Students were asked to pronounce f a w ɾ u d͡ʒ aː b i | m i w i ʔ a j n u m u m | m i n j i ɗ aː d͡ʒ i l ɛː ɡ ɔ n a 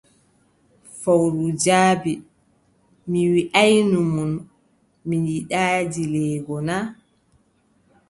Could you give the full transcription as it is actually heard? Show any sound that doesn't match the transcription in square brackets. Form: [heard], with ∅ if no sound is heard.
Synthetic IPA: f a w ɾ u d͡ʒ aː b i | m i w i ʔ a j n u m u [n] | m i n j i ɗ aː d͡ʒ i l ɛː ɡ ɔ n a

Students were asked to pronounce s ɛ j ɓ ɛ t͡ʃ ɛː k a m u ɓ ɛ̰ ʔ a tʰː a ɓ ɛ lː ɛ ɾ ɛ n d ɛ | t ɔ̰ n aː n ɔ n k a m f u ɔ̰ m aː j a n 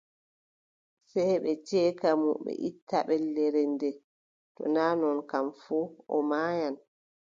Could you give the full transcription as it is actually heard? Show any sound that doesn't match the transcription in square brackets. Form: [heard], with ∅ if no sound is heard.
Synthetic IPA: s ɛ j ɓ ɛ t͡ʃ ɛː k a m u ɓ ɛ̰ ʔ [i] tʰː a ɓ ɛ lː ɛ ɾ ɛ n d ɛ | t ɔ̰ n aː n ɔ n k a m f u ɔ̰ m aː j a n

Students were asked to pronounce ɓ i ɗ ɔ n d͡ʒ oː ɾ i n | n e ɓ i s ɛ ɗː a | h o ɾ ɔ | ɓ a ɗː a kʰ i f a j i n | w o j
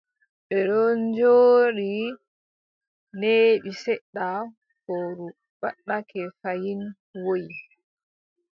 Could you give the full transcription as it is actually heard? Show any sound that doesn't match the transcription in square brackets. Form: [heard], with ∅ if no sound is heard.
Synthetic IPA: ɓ [ɛ] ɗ ɔ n d͡ʒ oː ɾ i [∅] | n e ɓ i s ɛ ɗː a | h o ɾ [u] | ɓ a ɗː a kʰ [ɛ] f a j i n | w o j

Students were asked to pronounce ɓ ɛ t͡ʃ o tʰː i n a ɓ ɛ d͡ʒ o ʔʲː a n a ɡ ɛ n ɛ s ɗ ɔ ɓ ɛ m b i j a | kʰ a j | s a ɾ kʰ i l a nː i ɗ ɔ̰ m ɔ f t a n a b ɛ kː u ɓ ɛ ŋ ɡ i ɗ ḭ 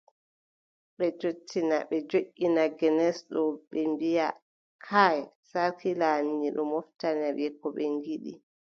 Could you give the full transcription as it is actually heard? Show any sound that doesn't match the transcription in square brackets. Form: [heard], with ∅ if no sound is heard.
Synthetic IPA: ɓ ɛ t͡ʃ o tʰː i n a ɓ ɛ d͡ʒ o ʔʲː [i] n a ɡ ɛ n ɛ s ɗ ɔ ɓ ɛ m b i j a | kʰ a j | s a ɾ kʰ i l a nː i ɗ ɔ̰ m ɔ f t a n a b ɛ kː [ɔ] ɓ ɛ ŋ ɡ i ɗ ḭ

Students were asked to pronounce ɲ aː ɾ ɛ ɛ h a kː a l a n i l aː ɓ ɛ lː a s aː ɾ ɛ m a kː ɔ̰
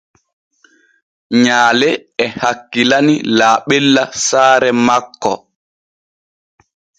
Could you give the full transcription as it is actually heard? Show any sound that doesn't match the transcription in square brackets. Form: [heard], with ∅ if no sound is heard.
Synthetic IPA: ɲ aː [l] ɛ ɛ h a kː [i] l a n i l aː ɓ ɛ lː a s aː ɾ ɛ m a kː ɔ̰

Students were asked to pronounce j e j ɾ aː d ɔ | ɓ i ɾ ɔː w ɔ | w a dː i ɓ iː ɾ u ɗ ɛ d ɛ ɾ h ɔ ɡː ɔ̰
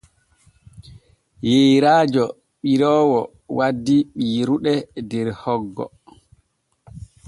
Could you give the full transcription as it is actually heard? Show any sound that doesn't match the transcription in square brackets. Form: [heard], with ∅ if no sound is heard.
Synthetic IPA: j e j ɾ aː [d͡ʒ] ɔ | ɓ i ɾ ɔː w ɔ | w a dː i ɓ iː ɾ u ɗ ɛ d ɛ ɾ h ɔ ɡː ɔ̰

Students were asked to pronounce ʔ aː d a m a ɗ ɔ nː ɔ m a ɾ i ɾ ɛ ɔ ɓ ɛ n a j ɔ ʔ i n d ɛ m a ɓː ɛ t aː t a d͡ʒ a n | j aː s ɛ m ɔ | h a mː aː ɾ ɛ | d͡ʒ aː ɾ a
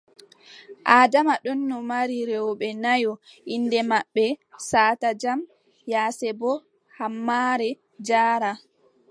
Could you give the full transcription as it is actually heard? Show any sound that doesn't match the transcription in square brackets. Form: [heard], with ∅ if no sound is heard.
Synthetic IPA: ʔ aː d a m a ɗ ɔ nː ɔ m a ɾ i ɾ ɛ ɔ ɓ ɛ n a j ɔ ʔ i n d ɛ m a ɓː ɛ [s] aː t a d͡ʒ a [m] | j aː s ɛ [b] ɔ | h a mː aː ɾ ɛ | d͡ʒ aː ɾ a

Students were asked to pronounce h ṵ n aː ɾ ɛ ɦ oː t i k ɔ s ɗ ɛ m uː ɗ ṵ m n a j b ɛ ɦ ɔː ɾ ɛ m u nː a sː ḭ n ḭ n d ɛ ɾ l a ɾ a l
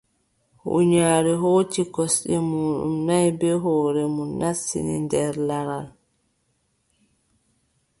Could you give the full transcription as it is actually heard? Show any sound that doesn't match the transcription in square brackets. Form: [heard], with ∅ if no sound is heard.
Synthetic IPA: h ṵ [ɲ] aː ɾ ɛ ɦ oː t i k ɔ s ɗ ɛ m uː ɗ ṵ m n a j b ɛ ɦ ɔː ɾ ɛ m u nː a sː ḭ n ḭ n d ɛ ɾ l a ɾ a l

